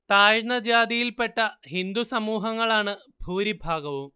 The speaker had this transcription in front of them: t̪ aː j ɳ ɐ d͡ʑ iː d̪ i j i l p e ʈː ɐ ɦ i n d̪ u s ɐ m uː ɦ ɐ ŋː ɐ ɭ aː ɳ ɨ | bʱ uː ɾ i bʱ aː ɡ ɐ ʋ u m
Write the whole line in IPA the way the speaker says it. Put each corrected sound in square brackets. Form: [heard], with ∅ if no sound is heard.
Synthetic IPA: t̪ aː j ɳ ɐ d͡ʑ [aː] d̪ i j i l p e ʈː ɐ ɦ i n d̪ u s ɐ m uː ɦ ɐ ŋː ɐ ɭ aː ɳ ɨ | bʱ uː ɾ i bʱ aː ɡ ɐ ʋ u m